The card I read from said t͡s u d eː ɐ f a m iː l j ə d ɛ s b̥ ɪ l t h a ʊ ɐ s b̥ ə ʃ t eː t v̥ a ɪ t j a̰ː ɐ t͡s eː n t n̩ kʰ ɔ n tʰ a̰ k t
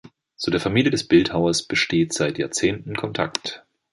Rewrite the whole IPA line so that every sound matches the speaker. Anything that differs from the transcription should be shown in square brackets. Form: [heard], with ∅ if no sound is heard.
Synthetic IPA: t͡s u d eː ɐ f a m iː l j ə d ɛ s b̥ ɪ l t h a ʊ ɐ s b̥ ə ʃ t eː t [z̥] a ɪ t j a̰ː ɐ t͡s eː n t n̩ kʰ ɔ n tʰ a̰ k t